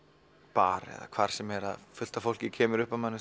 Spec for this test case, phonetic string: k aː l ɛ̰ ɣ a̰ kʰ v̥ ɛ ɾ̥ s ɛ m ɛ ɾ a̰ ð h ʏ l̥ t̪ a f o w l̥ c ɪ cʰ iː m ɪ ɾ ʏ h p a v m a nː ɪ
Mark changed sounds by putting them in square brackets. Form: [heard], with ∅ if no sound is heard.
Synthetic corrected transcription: [p] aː [ɾ] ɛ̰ [ð] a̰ kʰ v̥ [a] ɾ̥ s ɛ m ɛ ɾ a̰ ð [f] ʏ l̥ t̪ a f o w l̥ c ɪ cʰ [ɛː] m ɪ ɾ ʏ h p a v m a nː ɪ

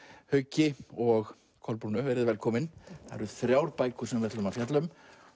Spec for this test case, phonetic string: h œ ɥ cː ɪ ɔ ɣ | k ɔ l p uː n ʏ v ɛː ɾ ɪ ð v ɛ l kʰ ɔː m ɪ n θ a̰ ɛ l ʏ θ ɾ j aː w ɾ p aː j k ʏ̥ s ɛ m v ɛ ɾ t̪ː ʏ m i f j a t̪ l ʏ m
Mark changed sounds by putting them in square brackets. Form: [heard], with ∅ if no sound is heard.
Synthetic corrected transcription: h œ ɥ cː ɪ ɔ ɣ | [kʰ] ɔ l p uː n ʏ v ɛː ɾ ɪ ð v ɛ l kʰ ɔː m ɪ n θ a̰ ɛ [ɾ] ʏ θ ɾ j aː w ɾ p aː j k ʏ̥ s ɛ m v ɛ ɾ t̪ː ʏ m [a] f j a t̪ l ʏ m

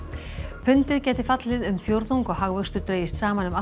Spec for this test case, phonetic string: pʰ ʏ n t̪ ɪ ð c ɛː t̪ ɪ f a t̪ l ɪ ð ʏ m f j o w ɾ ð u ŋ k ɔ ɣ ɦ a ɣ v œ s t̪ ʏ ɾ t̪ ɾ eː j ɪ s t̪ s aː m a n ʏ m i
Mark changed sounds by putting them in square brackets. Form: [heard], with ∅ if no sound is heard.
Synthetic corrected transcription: pʰ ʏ n t̪ ɪ ð c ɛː t̪ ɪ f a t̪ l ɪ ð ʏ m f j o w ɾ ð u ŋ k ɔ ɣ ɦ a ɣ v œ s t̪ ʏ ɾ t̪ ɾ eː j ɪ s t̪ s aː m a n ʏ m [a]

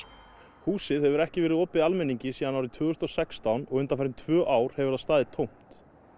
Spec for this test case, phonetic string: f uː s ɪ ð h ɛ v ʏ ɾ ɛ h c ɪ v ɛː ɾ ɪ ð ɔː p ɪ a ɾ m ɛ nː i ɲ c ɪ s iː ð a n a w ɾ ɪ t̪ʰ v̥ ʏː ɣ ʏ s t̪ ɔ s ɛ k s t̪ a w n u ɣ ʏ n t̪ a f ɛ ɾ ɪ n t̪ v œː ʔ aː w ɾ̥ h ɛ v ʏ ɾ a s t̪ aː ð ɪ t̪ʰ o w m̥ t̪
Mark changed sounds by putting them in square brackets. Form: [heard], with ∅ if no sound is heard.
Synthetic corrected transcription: [h] uː s ɪ ð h ɛ v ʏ ɾ ɛ h c ɪ v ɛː ɾ ɪ ð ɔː p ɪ a [l] m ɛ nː i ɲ c ɪ s iː ð a n a w ɾ ɪ t̪ʰ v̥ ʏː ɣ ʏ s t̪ ɔ s ɛ k s t̪ a w n [ɔ] ɣ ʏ n t̪ a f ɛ ɾ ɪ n [t̪ʰ] v œː ʔ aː w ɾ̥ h ɛ v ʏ ɾ a s t̪ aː ð ɪ t̪ʰ o w m̥ t̪

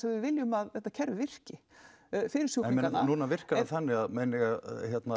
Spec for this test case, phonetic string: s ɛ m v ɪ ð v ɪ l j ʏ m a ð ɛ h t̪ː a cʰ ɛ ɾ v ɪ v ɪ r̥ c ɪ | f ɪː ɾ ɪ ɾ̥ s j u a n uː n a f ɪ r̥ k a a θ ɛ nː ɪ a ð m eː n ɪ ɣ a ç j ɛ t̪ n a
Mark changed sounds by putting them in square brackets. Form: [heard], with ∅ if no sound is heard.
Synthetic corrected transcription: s ɛ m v ɪ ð v ɪ l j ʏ m a ð ɛ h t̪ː a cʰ ɛ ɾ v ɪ v ɪ r̥ c ɪ | f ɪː ɾ ɪ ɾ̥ s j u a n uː n a [v] ɪ r̥ k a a θ ɛ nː ɪ a ð m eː n ɪ ɣ a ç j ɛ t̪ n a

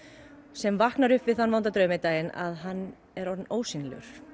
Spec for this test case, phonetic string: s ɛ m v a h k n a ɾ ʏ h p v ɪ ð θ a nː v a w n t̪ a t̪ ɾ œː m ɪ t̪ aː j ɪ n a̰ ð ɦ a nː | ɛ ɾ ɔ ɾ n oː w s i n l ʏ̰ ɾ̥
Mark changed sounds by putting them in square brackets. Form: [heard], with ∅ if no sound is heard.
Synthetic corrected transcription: s ɛ m v a h k n a ɾ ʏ h p v ɪ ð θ a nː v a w n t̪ a t̪ ɾ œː m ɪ t̪ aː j ɪ n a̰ ð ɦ a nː | ɛ ɾ ɔ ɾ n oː w s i n l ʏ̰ ɾ̥

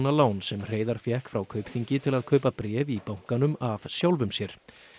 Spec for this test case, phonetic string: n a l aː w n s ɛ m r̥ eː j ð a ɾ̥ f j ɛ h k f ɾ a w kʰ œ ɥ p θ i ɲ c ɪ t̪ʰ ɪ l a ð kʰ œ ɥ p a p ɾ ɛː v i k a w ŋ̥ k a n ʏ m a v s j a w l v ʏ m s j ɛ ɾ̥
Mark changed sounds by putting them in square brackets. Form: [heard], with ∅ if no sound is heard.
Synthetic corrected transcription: n a l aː w n s ɛ m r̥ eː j ð a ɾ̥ f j ɛ h k f ɾ a w kʰ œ ɥ p θ i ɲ c ɪ t̪ʰ ɪ l a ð kʰ œ ɥ p a p ɾ ɛː v i [p] a w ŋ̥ k a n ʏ m a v s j a w l v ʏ m s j ɛ ɾ̥

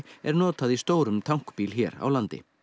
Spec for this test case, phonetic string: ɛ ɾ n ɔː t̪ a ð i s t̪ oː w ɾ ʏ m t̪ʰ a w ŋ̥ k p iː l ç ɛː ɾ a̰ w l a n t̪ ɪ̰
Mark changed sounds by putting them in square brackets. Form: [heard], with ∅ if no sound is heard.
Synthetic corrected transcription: ɛ ɾ n ɔː t̪ a ð i s t̪ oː w ɾ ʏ m t̪ʰ a w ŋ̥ k p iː l ç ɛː ɾ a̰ w l a n t̪ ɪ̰

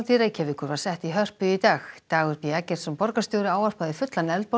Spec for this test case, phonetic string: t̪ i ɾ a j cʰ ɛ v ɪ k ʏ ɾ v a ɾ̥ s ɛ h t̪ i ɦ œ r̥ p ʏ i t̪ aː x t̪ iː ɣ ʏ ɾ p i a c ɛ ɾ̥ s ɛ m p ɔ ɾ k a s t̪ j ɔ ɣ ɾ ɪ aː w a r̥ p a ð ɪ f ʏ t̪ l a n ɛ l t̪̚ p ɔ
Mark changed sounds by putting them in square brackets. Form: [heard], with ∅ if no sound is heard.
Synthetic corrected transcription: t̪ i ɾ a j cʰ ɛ v ɪ k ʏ ɾ v a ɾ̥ s ɛ h t̪ i ɦ œ r̥ p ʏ i t̪ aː x t̪ [aː] ɣ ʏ ɾ p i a c ɛ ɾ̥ s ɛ m p ɔ ɾ k a s t̪ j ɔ [w] ɾ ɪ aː w a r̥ p a ð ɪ f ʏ t̪ l a n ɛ l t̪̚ p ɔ

